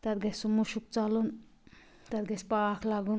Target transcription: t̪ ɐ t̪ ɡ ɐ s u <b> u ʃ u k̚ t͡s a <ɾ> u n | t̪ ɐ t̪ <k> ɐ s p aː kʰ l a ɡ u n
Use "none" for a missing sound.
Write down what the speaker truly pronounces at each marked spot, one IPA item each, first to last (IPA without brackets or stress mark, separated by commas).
m, l, ɡ